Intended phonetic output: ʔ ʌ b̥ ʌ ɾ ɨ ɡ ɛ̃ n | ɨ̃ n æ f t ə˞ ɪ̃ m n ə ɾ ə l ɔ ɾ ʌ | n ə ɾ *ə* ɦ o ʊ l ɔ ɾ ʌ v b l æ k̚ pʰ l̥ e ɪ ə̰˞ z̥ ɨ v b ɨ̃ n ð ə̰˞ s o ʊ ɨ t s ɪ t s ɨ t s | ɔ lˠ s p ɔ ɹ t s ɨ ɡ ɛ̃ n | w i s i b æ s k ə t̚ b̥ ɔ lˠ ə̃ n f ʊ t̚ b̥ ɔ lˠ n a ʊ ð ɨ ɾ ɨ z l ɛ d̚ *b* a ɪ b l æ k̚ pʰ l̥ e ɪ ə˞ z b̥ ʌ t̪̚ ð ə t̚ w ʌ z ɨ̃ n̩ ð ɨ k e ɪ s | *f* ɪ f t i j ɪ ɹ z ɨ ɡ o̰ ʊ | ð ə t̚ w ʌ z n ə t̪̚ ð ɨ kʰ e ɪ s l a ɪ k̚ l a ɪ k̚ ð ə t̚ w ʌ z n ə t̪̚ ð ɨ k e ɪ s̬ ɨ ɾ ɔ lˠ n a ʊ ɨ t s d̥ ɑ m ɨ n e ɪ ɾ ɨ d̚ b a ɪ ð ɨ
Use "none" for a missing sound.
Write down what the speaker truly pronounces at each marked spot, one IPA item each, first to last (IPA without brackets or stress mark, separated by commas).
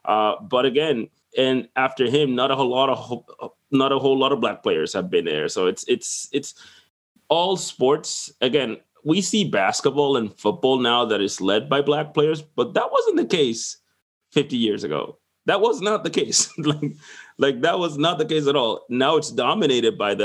ə, b, f